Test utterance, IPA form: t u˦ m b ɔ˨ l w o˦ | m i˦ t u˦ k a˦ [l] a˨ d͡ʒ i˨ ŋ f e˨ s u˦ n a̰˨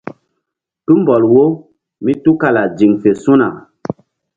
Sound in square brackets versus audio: correct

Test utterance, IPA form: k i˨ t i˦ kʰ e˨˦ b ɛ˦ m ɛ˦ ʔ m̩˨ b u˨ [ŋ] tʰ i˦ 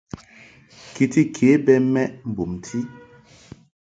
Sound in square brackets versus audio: incorrect: m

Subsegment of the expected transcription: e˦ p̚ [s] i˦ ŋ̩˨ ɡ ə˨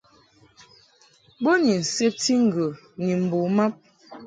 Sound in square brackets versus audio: incorrect: t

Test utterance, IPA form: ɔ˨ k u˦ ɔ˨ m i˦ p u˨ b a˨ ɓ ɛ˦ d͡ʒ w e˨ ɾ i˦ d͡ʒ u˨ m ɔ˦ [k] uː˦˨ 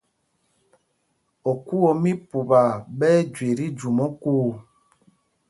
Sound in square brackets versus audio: correct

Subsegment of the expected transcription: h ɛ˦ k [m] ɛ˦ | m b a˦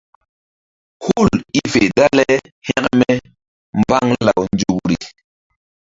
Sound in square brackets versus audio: correct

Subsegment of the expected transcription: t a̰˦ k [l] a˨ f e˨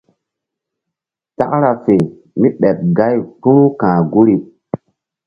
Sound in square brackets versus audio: incorrect: ɾ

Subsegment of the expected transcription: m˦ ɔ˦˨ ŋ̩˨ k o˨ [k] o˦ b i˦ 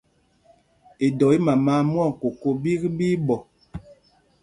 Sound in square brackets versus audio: correct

